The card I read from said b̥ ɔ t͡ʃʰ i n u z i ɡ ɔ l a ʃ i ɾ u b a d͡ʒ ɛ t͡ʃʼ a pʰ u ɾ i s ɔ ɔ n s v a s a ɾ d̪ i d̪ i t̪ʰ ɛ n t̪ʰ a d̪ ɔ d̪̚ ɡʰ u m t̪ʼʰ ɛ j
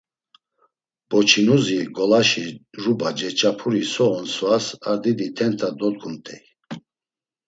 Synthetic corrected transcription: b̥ ɔ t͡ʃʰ i n u z i ɡ ɔ l a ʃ i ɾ u b a d͡ʒ ɛ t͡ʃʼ a pʰ u ɾ i s ɔ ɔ n s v a s a ɾ d̪ i d̪ i t̪ʰ ɛ n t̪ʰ a d̪ ɔ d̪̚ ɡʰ u m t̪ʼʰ ɛ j